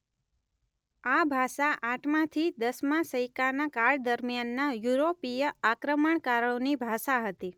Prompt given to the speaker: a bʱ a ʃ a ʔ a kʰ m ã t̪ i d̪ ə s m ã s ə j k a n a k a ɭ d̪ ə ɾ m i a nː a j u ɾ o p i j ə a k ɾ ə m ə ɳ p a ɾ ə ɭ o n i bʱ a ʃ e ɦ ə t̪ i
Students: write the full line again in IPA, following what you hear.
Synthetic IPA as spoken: a bʱ a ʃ a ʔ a ʈʰ m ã t̪ʰ i d̪ ə s m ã s ə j k a n a k a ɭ d̪ ə ɾ m j a nː a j u ɾ o p i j ə a k ɾ ə m ə ɳ k a ɾ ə ɭ o n i bʱ a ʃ a ɦ ə t̪ i